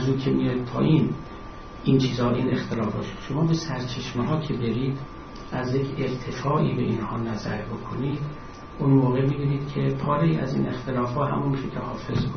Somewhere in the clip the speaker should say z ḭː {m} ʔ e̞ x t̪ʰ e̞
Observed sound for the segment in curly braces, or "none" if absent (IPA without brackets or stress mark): n